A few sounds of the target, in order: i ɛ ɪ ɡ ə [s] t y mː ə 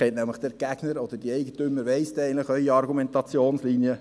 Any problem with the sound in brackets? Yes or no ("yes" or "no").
yes